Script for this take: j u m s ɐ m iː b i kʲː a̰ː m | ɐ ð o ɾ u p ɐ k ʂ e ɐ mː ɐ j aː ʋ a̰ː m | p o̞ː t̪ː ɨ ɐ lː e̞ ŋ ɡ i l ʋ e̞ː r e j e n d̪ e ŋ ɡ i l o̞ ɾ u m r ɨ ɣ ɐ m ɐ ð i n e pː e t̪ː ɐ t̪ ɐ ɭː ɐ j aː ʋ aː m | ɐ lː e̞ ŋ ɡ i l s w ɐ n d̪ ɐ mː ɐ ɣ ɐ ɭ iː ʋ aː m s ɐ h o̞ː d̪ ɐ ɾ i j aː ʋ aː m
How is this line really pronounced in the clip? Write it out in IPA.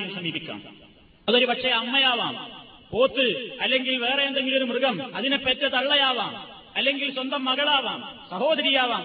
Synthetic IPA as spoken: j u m s ɐ m iː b i kʲː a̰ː m | ɐ ð o ɾ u p ɐ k ʂ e ɐ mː ɐ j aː ʋ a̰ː m | p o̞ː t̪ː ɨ ɐ lː e̞ ŋ ɡ i l ʋ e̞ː r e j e n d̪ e ŋ ɡ i l o̞ ɾ u m r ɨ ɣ ɐ m ɐ ð i n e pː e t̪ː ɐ t̪ ɐ ɭː ɐ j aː ʋ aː m | ɐ lː e̞ ŋ ɡ i l s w ɐ n d̪ ɐ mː ɐ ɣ ɐ ɭ aː ʋ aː m s ɐ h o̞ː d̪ ɐ ɾ i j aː ʋ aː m